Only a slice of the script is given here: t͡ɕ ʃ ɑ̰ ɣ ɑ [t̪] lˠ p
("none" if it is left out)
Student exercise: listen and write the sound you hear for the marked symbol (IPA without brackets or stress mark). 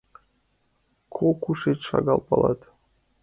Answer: none